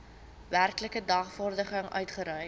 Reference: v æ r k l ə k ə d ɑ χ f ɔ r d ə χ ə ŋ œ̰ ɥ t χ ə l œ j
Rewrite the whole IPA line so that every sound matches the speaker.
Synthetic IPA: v æ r k l ə k ə d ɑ χ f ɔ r d ə χ ə ŋ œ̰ ɥ t χ ə ɾ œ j